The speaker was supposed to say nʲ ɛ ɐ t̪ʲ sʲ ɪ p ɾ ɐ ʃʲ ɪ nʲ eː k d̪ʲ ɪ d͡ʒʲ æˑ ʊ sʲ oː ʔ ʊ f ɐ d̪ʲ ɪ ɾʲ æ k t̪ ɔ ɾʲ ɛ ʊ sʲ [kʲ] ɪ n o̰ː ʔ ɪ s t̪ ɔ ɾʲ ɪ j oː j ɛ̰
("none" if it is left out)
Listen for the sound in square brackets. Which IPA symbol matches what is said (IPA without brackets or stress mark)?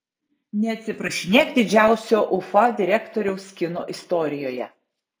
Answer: kʲ